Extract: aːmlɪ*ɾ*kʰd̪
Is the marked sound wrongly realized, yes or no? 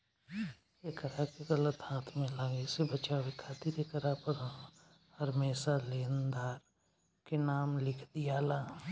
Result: yes